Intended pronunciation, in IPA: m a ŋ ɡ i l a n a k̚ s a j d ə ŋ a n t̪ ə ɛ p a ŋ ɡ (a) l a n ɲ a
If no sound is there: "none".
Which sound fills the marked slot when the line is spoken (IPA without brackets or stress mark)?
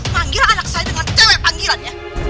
i